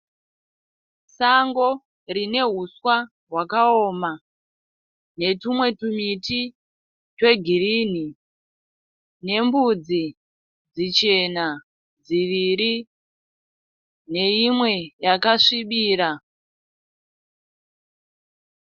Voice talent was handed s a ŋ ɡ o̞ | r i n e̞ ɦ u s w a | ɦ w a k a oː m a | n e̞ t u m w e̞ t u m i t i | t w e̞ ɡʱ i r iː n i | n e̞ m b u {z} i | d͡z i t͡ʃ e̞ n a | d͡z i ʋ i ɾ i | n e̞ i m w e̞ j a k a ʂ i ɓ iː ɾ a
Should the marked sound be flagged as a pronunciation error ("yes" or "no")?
yes